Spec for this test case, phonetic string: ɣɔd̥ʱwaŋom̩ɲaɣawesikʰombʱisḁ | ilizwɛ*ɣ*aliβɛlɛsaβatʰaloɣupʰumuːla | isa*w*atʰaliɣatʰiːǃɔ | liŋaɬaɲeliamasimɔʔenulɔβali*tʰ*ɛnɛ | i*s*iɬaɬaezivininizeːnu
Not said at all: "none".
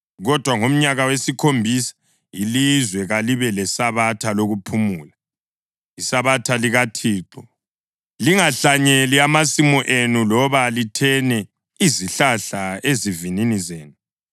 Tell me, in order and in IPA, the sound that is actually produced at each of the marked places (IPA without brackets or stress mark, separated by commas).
ɣ, β, tʰ, z